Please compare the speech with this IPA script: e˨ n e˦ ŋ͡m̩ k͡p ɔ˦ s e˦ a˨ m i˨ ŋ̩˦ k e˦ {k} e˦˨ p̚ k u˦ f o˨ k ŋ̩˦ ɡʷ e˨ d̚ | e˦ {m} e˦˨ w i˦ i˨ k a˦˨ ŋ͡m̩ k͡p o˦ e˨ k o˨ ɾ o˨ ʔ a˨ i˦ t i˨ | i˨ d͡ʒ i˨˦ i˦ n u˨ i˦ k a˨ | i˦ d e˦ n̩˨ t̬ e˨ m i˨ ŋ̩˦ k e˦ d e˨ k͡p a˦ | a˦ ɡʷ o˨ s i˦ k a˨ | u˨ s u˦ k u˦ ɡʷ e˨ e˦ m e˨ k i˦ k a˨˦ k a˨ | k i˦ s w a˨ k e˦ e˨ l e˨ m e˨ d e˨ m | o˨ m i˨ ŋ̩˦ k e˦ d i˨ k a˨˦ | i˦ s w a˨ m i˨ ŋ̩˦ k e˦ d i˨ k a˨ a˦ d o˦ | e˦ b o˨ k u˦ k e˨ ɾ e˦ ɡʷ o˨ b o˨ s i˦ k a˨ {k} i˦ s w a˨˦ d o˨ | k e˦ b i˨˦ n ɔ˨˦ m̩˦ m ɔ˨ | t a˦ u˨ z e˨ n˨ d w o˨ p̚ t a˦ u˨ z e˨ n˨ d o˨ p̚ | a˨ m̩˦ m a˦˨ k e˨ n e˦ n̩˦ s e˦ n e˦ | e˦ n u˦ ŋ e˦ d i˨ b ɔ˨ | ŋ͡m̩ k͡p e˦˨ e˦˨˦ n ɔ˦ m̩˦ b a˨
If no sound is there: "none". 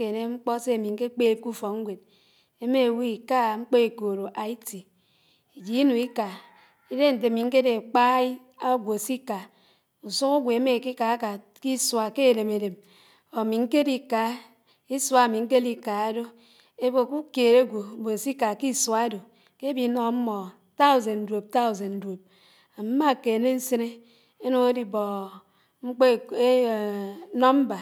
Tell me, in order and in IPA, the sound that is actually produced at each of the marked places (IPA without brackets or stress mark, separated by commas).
k͡p, m, k